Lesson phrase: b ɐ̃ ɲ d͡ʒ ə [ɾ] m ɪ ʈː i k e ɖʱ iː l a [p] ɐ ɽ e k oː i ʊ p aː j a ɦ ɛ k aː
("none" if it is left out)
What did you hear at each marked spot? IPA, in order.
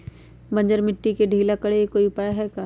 ɾ, k

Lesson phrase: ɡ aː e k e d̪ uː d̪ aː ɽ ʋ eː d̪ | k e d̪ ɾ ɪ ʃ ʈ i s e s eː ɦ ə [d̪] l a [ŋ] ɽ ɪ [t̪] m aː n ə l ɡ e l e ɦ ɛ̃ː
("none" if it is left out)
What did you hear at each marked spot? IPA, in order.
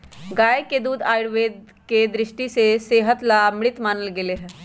t̪, m, t̪

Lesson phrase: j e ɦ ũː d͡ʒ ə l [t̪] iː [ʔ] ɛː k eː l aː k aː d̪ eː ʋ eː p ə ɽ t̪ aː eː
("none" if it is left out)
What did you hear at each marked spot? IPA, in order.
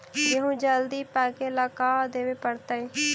d̪, p

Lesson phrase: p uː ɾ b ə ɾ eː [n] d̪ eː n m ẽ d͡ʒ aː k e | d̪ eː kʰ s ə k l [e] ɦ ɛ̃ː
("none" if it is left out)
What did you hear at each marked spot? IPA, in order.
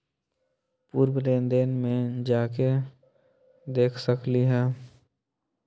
n, i

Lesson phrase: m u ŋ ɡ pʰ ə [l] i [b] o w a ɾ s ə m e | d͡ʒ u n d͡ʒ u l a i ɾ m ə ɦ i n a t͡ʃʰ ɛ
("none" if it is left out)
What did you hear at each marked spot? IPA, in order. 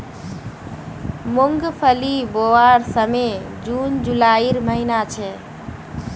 l, b

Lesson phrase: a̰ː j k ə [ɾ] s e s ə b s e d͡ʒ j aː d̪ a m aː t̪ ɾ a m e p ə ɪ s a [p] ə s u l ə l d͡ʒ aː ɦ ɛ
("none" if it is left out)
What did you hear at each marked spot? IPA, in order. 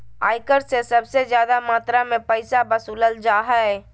ɾ, b

